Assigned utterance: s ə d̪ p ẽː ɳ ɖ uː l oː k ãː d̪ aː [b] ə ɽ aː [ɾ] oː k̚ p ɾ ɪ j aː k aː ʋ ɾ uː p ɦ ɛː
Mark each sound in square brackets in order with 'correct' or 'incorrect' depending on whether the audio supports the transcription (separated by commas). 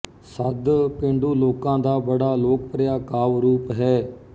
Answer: correct, incorrect